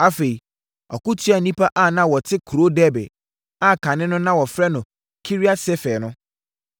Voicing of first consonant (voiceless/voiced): voiceless